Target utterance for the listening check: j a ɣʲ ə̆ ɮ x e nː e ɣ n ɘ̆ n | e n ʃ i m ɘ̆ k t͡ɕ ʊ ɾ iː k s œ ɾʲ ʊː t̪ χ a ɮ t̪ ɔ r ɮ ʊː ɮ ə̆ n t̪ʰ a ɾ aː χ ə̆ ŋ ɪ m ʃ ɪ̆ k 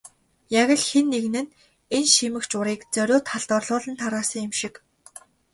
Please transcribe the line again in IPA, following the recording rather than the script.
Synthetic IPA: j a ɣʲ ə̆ ɮ x e nː e ɣ n ɘ̆ n | e n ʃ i m ɘ̆ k t͡ɕ ʊ ɾ iː k t͡s œ ɾʲ ʊː t̪ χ a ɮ t̪ ɔ r ɮ ʊː ɮ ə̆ n t̪ʰ a ɾ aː s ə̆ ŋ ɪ m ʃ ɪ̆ k